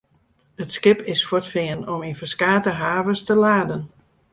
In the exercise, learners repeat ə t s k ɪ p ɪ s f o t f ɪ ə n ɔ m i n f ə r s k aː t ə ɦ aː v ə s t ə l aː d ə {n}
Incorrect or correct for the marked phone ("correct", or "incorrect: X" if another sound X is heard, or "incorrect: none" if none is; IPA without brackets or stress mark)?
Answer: correct